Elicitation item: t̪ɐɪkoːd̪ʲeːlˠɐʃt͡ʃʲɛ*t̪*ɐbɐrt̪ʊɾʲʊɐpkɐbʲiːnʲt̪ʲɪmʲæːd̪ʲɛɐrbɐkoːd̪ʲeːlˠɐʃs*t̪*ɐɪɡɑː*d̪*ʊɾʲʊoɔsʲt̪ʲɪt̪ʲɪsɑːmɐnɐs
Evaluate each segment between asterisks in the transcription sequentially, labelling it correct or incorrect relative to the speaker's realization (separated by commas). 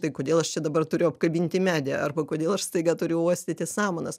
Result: incorrect, correct, incorrect